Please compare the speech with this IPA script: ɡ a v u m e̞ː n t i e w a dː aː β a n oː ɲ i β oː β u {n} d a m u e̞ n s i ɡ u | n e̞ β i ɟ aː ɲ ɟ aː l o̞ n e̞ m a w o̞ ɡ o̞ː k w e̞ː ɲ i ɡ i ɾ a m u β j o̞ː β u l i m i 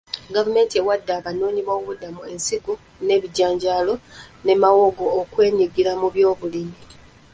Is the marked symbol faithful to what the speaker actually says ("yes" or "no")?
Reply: no